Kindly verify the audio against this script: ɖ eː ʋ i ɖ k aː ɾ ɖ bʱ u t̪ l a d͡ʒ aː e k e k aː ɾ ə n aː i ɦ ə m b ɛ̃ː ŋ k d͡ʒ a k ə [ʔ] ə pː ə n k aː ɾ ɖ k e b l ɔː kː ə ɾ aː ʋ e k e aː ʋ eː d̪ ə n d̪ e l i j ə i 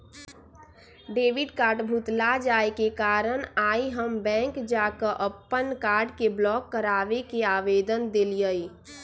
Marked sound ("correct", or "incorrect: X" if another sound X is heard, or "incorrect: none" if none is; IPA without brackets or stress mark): correct